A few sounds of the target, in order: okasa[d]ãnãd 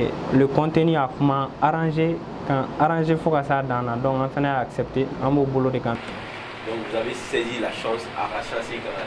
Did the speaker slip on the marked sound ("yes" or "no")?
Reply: no